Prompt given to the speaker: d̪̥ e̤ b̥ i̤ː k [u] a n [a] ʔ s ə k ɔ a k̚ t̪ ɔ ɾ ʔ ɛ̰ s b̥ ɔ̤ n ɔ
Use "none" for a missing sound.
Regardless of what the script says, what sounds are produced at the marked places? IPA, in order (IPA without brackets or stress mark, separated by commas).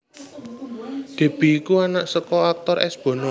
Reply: u, a